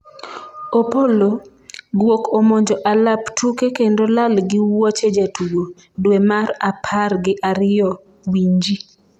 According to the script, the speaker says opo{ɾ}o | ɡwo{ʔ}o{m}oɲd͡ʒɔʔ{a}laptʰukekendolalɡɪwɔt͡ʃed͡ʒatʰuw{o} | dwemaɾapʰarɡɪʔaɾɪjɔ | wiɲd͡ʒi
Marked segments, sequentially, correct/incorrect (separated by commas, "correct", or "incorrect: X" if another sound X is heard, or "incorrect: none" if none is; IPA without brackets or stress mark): incorrect: l, incorrect: k, correct, correct, correct